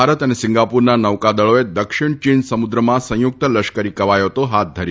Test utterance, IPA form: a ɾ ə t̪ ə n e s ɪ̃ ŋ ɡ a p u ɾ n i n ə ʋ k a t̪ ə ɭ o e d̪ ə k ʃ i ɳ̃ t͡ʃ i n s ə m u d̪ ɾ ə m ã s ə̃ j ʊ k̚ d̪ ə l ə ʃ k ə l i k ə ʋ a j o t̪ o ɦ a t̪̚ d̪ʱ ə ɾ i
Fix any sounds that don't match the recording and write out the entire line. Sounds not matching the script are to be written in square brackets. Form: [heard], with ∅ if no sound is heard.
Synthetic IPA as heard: a ɾ ə t̪ ə n e s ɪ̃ ŋ ɡ a p u ɾ n [a] n ə ʋ k a [d̪] ə ɭ o e d̪ ə k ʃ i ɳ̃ t͡ʃ i n s ə m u d̪ ɾ ə m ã s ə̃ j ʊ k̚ [t̪] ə l ə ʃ k ə [ɾ] i k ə ʋ a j o t̪ o ɦ a t̪̚ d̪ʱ ə ɾ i